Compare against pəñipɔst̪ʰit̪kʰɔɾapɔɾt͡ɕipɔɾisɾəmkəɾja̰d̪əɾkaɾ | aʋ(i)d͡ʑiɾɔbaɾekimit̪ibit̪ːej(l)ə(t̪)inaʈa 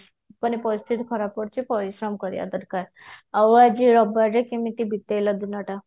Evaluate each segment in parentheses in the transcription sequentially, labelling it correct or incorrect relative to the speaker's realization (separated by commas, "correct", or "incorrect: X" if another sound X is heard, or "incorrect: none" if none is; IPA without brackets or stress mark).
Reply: incorrect: a, correct, incorrect: d̪